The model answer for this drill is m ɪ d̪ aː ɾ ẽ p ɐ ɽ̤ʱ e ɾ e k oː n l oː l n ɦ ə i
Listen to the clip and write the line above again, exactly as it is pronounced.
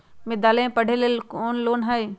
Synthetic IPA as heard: m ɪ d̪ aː l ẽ p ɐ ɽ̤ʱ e l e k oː n l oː n ɦ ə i

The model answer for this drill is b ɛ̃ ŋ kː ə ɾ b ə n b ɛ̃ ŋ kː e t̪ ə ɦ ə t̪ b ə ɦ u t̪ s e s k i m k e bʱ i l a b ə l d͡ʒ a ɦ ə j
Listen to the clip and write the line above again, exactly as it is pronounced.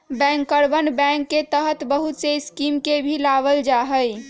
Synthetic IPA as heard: b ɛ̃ ŋ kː ə ɾ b ə n b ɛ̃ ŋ kː e t̪ ə ɦ ə t̪ b ə ɦ u t̪ s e s k i m k e bʱ i l a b ə l d͡ʒ a ɦ ə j

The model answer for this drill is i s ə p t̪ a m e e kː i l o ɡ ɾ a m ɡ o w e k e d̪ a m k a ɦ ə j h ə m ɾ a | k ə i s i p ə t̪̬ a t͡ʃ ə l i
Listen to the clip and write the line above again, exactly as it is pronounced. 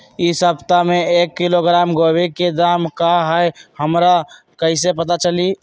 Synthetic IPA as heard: i s ə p t̪ a m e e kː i l o ɡ ɾ a m ɡ o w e k e d̪ a m k a ɦ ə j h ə m ɾ a | k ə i s e p ə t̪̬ a t͡ʃ ə l i

